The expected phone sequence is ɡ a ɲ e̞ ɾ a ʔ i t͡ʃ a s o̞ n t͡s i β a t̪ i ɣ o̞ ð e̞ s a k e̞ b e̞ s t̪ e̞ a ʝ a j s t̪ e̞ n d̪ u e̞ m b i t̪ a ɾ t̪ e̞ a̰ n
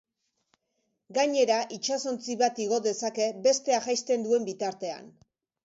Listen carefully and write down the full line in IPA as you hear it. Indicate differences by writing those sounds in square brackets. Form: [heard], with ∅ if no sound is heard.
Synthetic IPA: ɡ a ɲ e̞ ɾ a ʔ i t͡ʃ a s o̞ n t͡s i β a t̪ i ɣ o̞ ð e̞ s a k e̞ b e̞ s t̪ e̞ a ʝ a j s t̪ e̞ n d̪ u e̞ m b i t̪ a ɾ t̪ e̞ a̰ n